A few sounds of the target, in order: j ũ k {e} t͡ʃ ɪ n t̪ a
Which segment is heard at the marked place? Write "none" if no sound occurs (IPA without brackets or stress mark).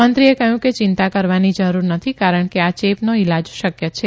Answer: e